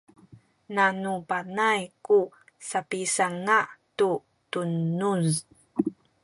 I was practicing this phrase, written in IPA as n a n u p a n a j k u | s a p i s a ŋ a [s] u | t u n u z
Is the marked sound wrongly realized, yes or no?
yes